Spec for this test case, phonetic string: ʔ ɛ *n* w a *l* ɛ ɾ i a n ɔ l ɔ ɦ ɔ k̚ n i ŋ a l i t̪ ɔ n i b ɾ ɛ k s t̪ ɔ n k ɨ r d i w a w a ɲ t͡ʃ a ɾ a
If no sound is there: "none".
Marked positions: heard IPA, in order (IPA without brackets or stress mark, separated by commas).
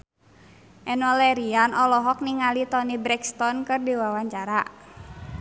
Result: n, l